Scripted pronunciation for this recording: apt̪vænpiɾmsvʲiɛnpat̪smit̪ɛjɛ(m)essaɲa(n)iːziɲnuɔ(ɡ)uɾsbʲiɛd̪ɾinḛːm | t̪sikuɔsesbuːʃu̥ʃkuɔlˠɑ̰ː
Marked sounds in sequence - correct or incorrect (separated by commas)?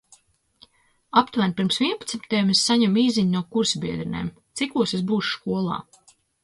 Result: correct, incorrect, incorrect